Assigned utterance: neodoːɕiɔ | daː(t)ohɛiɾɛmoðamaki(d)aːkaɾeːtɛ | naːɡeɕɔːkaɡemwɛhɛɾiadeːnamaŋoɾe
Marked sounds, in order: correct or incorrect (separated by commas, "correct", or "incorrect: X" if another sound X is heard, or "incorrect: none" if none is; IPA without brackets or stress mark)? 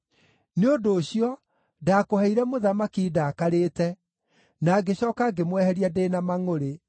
incorrect: k, correct